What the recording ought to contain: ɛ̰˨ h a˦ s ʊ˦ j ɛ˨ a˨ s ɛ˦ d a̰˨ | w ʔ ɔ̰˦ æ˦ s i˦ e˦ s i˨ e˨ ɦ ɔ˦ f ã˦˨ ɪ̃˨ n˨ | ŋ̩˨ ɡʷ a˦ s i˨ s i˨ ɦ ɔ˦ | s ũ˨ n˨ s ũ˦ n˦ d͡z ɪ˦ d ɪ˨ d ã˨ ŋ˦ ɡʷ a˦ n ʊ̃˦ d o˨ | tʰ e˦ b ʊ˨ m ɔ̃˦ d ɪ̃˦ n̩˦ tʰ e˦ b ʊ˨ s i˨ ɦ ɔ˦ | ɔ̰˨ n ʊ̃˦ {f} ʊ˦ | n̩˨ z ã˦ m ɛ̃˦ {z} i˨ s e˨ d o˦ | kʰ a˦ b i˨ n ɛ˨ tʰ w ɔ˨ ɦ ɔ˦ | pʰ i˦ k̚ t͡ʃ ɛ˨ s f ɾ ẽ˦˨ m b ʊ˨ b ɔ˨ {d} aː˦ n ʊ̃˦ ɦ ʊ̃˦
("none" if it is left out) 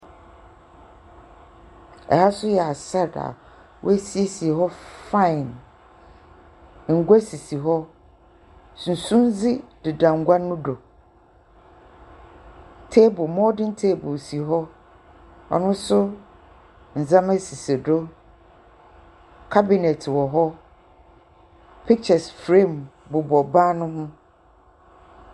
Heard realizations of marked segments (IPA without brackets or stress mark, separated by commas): s, s, b